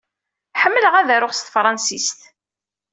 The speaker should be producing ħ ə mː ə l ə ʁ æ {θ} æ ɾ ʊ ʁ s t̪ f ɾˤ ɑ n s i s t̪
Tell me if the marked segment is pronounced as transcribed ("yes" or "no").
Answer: no